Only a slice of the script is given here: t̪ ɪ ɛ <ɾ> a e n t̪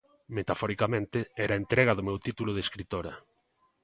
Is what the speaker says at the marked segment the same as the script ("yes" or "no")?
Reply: yes